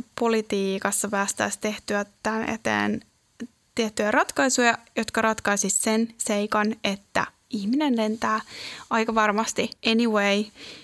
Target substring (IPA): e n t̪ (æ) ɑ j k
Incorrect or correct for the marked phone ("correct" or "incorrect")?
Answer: incorrect